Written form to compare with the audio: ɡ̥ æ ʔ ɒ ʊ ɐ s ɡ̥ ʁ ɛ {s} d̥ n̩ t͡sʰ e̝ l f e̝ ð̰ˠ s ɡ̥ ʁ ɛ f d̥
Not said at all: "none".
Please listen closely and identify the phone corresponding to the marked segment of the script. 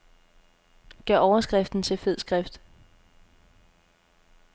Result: f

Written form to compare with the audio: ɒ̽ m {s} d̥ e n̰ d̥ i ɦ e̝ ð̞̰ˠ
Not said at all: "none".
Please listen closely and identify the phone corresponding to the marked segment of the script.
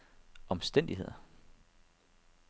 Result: s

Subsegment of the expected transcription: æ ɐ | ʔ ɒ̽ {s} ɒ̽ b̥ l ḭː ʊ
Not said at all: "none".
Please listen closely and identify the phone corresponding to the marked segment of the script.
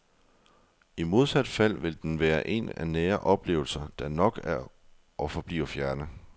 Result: f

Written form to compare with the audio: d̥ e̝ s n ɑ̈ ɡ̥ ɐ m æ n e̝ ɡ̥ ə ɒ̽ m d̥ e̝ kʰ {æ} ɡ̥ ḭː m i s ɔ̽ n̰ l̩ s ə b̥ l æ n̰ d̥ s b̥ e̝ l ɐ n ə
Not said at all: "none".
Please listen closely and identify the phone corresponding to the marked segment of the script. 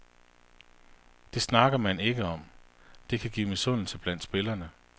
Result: æ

